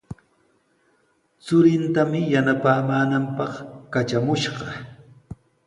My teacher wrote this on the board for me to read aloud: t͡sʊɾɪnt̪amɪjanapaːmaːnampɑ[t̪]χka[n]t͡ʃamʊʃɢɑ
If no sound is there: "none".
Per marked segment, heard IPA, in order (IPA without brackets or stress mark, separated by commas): none, none